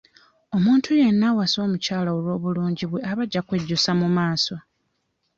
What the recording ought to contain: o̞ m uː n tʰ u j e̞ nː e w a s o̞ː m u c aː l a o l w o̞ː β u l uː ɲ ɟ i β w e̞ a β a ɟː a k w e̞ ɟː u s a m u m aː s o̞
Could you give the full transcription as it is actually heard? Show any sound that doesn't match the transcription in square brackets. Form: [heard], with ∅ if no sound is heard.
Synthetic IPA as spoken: o̞ m uː n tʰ u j e̞ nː [a] w a s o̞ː m u c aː l a o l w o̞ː β u l uː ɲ ɟ i β w e̞ a β a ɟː a k w e̞ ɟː u s a m u m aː s o̞